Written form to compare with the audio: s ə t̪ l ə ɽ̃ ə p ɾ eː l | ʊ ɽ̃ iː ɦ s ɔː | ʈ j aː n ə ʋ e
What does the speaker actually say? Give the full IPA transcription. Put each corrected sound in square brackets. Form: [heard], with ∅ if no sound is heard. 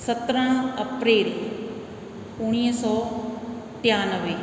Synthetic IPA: s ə t̪ [ɾ] ə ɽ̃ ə p ɾ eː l | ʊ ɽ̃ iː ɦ s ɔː | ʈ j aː n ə ʋ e

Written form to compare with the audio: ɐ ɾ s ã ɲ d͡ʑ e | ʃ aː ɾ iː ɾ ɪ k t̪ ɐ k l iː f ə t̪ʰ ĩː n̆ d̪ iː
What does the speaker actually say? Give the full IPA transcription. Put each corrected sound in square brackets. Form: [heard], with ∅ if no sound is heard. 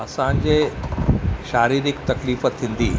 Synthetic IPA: ɐ [∅] s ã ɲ d͡ʑ e | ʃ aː ɾ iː ɾ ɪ k t̪ ɐ k l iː f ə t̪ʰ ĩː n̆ d̪ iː

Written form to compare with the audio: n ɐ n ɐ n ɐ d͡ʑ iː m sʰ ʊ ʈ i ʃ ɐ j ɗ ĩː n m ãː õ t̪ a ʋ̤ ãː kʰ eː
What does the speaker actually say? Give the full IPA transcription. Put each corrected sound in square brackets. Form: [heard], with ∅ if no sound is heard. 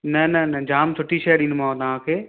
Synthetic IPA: n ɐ n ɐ n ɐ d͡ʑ [aː] m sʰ ʊ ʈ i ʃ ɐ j ɗ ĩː n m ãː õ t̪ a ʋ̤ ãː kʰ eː

